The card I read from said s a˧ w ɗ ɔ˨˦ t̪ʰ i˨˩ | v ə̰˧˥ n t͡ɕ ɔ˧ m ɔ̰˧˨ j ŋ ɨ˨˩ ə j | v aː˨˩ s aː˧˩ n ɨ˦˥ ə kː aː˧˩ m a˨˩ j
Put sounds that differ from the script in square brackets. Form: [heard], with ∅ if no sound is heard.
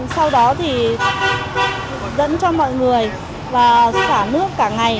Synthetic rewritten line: s a˧ w ɗ ɔ˨˦ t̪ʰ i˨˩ | [z] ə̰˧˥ n t͡ɕ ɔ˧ m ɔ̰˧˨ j ŋ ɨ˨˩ ə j | v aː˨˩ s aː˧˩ n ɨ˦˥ ə kː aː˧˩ [ŋ] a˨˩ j